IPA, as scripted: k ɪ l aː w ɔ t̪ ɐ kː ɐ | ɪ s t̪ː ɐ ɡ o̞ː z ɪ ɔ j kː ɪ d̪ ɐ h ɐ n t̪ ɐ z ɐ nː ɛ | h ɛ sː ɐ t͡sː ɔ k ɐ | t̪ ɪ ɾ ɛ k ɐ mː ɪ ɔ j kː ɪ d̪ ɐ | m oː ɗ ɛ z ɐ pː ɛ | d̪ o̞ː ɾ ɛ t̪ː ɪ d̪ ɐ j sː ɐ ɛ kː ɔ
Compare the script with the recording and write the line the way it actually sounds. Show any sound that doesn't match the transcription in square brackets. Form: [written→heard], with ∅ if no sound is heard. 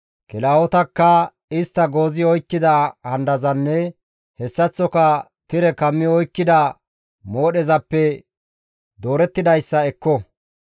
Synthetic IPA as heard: k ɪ l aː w ɔ t̪ ɐ kː ɐ | ɪ s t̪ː ɐ ɡ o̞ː z ɪ ɔ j kː ɪ d̪ ɐ h ɐ n [t̪→d̪] ɐ z ɐ nː ɛ | h ɛ sː ɐ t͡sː ɔ k ɐ | t̪ ɪ ɾ ɛ k ɐ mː ɪ ɔ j kː ɪ d̪ ɐ | m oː ɗ ɛ z ɐ pː ɛ | d̪ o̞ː ɾ ɛ t̪ː ɪ d̪ ɐ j sː ɐ ɛ kː ɔ